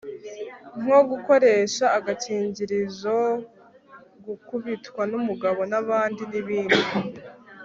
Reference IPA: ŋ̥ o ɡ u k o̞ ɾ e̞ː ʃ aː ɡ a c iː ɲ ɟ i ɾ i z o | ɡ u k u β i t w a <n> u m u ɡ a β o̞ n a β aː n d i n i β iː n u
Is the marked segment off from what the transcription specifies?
no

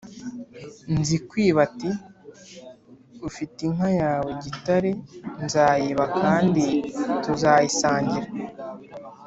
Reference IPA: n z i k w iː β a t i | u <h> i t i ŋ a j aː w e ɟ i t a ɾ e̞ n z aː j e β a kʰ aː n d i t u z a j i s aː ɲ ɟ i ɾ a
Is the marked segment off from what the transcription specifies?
yes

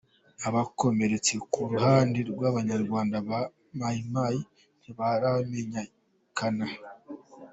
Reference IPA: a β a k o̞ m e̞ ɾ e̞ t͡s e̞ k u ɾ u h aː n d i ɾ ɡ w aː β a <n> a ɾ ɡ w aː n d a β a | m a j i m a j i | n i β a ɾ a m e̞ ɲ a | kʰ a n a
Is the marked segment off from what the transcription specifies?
yes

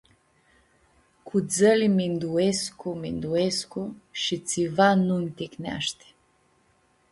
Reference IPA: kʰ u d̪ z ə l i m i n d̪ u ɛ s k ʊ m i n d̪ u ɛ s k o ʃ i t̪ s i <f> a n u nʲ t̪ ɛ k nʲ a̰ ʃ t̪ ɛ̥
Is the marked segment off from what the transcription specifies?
yes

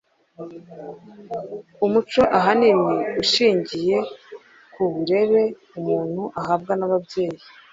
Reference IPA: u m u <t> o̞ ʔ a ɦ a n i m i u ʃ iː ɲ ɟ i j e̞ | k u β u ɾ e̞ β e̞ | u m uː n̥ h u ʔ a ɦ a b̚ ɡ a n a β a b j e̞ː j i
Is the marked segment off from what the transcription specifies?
yes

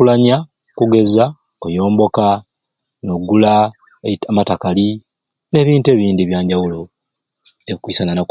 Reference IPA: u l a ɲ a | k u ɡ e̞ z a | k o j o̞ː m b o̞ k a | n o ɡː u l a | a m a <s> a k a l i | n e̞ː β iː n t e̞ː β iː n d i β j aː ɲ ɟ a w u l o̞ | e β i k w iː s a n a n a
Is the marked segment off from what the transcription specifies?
yes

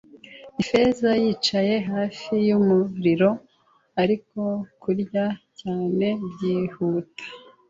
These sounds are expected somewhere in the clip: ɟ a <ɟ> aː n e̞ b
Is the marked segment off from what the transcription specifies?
yes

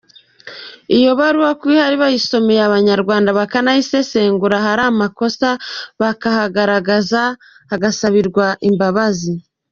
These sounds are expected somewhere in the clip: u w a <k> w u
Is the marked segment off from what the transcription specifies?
no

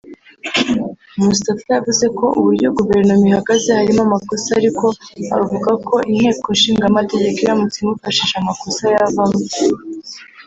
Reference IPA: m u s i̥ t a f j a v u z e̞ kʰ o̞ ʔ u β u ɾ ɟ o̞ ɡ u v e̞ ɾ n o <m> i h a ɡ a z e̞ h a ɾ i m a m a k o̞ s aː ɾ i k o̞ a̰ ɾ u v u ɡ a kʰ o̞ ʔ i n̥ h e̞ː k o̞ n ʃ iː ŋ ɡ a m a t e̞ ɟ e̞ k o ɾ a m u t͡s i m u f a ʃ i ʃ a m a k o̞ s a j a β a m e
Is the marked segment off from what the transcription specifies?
no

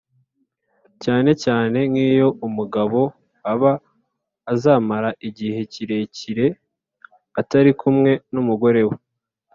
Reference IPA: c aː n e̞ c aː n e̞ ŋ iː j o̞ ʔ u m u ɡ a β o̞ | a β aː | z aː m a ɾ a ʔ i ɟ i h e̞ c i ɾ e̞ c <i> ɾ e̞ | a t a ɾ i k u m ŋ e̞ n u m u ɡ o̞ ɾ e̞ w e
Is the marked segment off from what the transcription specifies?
no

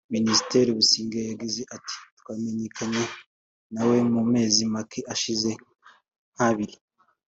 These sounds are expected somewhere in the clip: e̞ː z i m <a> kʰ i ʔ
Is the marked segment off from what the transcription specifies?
no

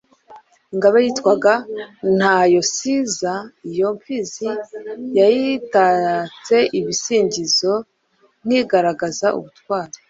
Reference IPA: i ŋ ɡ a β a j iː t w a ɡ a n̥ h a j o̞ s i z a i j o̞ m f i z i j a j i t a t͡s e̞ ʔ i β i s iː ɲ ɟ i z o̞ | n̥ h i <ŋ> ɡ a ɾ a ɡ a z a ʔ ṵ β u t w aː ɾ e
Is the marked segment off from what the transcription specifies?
yes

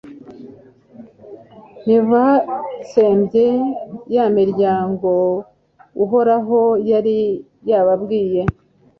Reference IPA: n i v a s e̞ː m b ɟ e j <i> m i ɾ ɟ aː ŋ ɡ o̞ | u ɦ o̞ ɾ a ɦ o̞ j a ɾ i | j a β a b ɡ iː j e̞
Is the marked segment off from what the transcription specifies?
yes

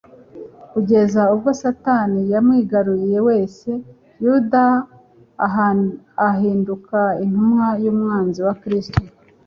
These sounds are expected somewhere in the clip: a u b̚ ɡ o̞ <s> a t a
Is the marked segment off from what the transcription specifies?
no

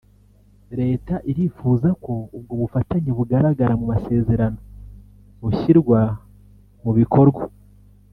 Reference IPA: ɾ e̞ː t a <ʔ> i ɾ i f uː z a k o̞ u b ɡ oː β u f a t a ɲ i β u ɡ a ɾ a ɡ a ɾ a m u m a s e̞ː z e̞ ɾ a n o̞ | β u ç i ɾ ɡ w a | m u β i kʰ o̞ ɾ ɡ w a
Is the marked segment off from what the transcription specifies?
no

